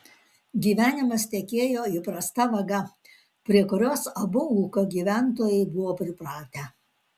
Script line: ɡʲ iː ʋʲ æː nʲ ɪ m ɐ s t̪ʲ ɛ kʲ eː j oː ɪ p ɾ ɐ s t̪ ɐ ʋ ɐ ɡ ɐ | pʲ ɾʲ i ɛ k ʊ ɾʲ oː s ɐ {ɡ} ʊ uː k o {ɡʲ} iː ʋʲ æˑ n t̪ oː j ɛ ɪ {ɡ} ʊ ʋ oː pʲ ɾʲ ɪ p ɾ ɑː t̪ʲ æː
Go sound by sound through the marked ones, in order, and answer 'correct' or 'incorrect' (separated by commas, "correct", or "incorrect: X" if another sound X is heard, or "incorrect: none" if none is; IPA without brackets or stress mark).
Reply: incorrect: b, correct, incorrect: b